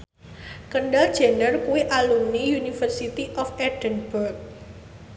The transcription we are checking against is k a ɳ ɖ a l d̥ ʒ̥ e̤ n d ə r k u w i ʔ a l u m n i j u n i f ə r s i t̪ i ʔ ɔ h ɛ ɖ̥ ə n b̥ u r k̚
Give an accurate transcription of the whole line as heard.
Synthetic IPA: k ə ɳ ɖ a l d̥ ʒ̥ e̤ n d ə r k u w i ʔ a l u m n i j u n i f ə r s i t̪ i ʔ ɔ f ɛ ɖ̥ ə n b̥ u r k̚